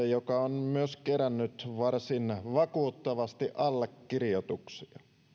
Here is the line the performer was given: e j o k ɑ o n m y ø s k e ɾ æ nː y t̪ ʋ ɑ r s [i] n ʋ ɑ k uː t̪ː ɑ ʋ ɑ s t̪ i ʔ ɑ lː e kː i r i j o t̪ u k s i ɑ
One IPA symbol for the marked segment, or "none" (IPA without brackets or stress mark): i